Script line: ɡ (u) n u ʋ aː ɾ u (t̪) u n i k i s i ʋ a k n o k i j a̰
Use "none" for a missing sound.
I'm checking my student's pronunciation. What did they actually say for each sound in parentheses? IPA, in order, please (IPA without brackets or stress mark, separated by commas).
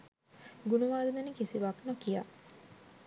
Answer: u, d̪